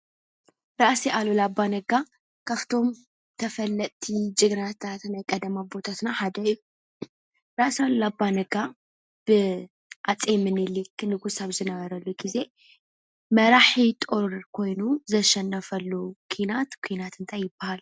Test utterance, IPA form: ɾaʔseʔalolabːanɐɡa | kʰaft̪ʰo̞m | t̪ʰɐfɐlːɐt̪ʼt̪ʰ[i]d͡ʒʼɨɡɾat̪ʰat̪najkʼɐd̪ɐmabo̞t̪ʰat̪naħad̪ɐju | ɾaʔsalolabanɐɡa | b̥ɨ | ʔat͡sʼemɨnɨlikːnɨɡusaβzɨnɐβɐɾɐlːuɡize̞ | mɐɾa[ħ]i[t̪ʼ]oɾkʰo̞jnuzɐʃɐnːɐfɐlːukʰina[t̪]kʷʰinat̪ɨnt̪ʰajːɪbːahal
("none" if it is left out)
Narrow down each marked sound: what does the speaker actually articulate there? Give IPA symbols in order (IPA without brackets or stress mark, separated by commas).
i, ħ, t̪ʼ, t̪